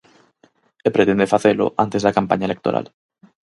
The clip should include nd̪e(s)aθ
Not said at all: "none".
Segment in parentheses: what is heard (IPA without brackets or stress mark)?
f